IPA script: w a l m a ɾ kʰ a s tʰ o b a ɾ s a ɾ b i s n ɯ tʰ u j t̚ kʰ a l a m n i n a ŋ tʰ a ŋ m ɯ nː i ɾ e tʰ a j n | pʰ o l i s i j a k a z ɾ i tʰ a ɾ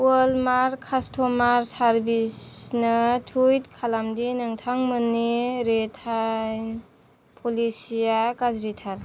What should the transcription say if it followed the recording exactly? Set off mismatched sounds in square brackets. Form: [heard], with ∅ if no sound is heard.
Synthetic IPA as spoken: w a l m a ɾ kʰ a s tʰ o [m] a ɾ s a ɾ b i s n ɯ tʰ u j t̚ kʰ a l a m [d] i n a ŋ tʰ a ŋ m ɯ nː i ɾ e tʰ a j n | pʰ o l i s i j a k a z ɾ i tʰ a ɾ

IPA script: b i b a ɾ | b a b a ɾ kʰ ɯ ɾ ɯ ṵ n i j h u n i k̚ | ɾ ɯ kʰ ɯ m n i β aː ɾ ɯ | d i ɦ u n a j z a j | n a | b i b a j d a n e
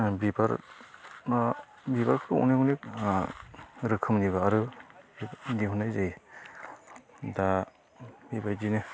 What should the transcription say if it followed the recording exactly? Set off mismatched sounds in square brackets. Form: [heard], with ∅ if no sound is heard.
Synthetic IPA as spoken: b i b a ɾ | b [i] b a ɾ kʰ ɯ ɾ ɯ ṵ n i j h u n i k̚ | ɾ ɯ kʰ ɯ m n i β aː ɾ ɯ | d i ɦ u n a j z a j | [d] a | b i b a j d [i] n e

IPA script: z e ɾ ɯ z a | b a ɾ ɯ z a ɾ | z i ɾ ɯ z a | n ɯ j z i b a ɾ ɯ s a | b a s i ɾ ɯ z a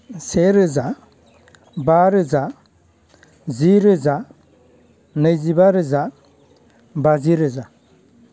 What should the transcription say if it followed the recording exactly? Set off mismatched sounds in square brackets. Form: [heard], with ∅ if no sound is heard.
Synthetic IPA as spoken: [s] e ɾ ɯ z a | b a ɾ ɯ z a [∅] | z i ɾ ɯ z a | n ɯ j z i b a ɾ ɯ [z] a | b a [z] i ɾ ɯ z a

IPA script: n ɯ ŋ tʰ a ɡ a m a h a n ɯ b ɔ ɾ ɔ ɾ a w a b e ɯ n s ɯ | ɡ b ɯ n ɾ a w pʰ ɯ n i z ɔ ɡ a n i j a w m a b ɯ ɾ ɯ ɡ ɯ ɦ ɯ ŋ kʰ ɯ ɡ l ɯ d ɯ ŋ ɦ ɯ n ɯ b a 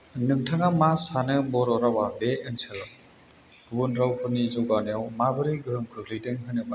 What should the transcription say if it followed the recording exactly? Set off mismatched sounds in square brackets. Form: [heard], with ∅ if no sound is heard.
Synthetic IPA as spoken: n ɯ ŋ tʰ a [ŋ] a m a [s] a n ɯ b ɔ ɾ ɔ ɾ a w a b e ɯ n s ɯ | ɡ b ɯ n ɾ a w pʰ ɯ n i z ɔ ɡ a n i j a w m a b ɯ ɾ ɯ ɡ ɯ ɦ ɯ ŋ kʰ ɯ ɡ l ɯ d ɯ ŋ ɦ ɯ n ɯ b a

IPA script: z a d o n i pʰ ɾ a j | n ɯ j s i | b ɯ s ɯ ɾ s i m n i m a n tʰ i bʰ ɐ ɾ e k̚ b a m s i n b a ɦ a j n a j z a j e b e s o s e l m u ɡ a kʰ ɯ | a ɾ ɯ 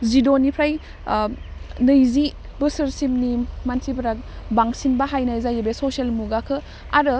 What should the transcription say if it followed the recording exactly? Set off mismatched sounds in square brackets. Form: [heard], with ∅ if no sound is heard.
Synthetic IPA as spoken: z [i] d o n i pʰ ɾ a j | n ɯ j [z] i | b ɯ s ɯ ɾ s i m n i m a n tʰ i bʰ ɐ ɾ [a] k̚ b a [ŋ] s i n b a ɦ a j n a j z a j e b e s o s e l m u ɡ a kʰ ɯ | a ɾ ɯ

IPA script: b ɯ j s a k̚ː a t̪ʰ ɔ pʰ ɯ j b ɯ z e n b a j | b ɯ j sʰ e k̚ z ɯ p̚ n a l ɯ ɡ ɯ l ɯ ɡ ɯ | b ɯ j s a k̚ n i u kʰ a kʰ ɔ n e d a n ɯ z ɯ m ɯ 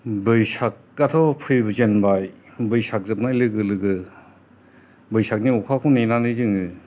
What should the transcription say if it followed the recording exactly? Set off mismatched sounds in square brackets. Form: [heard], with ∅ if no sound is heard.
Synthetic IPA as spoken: b ɯ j s a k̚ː a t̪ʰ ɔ pʰ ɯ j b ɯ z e n b a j | b ɯ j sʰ [a] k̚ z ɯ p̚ n a l ɯ ɡ ɯ l ɯ ɡ ɯ | b ɯ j s a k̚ n i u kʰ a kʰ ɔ n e [n] a n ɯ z ɯ [ŋ] ɯ

